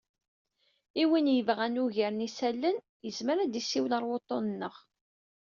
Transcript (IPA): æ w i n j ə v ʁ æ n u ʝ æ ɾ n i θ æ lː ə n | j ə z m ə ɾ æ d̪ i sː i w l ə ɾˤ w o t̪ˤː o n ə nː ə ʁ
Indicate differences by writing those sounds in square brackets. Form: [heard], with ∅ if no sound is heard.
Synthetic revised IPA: [i] w i n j ə v ʁ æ n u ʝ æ ɾ n i [s] æ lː ə n | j ə z m ə ɾ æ d̪ i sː i w l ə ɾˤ w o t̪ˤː o n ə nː ə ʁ